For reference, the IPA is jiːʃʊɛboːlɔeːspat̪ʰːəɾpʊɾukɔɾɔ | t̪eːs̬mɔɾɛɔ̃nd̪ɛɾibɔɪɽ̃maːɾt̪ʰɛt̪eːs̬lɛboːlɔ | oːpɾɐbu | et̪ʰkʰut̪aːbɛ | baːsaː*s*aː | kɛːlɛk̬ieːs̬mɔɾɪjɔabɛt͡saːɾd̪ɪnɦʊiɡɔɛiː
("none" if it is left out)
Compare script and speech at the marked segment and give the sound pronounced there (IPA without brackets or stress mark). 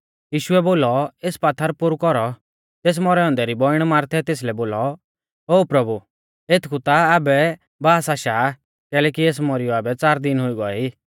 ʃ